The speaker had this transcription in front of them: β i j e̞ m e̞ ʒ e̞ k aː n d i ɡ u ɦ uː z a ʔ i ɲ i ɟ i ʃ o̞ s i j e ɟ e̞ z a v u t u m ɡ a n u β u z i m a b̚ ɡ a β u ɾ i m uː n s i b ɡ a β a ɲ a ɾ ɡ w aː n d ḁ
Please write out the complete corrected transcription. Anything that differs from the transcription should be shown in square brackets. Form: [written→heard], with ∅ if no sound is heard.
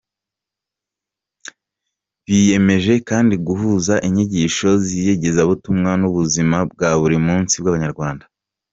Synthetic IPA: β i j e̞ m e̞ ʒ e̞ k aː n d i ɡ u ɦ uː z a ʔ i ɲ i ɟ i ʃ o̞ [s→z] i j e ɟ e̞ z a [v→β] u t u m [ɡ→ŋ] a n u β u z i m a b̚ ɡ a β u ɾ i m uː n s i b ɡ a β a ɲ a ɾ ɡ w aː n d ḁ